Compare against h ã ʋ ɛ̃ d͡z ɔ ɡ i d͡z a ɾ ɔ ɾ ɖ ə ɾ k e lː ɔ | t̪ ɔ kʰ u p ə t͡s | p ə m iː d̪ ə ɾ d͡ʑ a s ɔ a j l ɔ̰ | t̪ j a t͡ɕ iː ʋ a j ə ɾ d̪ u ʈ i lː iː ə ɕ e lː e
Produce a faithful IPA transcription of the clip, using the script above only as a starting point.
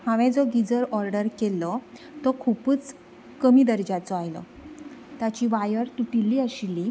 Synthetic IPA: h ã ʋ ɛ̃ d͡z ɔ ɡ i d͡z ə ɾ ɔ ɾ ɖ ə ɾ k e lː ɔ | t̪ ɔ kʰ u p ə t͡s | k ə m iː d̪ ə ɾ d͡ʑ a t͡s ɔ a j l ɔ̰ | t̪ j a t͡ɕ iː ʋ a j ə ɾ t̪ u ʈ i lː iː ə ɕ i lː i